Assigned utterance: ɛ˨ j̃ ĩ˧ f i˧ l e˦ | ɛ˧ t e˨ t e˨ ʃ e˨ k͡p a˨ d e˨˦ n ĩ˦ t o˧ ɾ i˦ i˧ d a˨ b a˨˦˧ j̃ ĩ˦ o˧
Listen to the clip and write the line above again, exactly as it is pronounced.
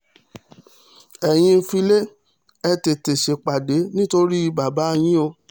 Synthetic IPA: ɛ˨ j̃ ĩ˧ f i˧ l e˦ | ɛ˧ t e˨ t e˨ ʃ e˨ k͡p a˨ d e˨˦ n ĩ˦ t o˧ ɾ i˦ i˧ b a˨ b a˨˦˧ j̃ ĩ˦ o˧

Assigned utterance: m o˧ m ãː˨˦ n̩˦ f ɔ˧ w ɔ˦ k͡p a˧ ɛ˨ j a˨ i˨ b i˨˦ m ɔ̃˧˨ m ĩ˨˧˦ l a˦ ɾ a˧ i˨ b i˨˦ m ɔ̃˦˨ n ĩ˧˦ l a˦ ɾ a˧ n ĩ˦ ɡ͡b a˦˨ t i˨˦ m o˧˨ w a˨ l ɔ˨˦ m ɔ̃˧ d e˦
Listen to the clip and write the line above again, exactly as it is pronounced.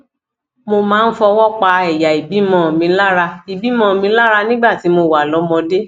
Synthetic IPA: m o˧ m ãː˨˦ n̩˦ f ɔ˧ w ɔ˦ k͡p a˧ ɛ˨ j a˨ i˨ b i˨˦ m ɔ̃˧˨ m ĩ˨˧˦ l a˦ ɾ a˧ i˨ b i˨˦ m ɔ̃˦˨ m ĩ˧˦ l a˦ ɾ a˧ n ĩ˦ ɡ͡b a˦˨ t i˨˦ m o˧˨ w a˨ l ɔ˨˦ m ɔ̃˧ d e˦

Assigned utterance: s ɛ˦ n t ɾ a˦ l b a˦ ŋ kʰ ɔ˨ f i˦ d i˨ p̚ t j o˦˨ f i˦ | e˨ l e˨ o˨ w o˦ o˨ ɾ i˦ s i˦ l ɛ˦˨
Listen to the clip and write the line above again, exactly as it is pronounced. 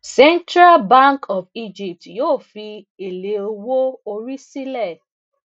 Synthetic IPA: s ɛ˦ n t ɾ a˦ l b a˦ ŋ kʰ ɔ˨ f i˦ d͡ʒ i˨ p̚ t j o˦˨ f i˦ | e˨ l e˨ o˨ w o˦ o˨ ɾ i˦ s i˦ l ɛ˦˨

